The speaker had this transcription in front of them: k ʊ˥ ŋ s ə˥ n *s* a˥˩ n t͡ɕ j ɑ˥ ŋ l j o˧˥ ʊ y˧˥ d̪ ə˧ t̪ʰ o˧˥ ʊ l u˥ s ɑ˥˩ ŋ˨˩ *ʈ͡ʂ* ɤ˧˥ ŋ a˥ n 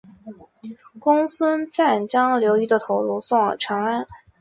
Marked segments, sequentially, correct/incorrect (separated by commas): incorrect, incorrect